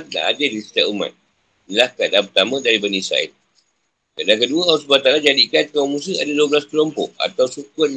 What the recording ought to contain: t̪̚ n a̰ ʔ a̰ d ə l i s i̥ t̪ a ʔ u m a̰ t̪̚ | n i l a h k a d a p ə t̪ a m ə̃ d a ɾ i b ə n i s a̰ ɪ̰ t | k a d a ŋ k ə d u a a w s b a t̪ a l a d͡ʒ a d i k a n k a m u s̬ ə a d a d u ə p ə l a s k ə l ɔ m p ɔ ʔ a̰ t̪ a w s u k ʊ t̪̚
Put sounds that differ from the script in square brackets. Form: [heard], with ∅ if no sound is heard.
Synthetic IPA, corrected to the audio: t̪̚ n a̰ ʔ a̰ d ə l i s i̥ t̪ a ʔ u m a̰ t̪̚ | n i l a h k a d a p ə t̪ a m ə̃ d a ɾ i b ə n i s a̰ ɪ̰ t | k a d a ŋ k ə d u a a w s b a t̪ a l a d͡ʒ a d i k a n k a m u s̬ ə a d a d u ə [b] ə l a s k ə l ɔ m p ɔ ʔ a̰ t̪ a w s u k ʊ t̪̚